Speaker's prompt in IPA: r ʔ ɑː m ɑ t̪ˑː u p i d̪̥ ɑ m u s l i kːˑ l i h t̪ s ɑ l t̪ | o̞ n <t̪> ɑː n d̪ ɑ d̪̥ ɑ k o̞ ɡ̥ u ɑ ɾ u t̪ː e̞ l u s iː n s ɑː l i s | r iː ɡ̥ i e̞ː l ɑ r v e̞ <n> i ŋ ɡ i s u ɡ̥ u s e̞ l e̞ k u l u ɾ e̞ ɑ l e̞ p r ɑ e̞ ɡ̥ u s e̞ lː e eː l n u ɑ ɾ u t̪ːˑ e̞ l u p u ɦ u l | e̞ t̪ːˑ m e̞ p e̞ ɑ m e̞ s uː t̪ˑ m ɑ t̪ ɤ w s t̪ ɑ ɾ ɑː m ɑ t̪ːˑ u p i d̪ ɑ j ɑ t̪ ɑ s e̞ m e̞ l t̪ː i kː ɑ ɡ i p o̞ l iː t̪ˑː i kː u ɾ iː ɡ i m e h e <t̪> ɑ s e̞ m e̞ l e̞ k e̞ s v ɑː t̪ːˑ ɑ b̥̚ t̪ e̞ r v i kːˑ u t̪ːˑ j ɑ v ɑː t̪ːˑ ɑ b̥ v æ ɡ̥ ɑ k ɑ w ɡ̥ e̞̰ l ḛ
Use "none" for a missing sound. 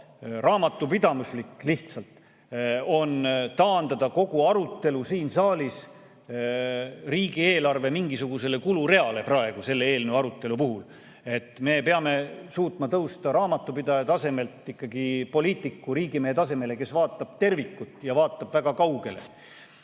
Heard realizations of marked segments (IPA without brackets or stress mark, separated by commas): t̪, m, t̪